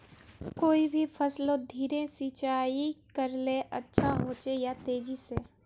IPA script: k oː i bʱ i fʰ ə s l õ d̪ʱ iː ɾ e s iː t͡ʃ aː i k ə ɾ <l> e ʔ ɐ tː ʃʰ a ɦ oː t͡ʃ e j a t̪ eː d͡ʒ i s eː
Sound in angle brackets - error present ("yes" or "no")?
no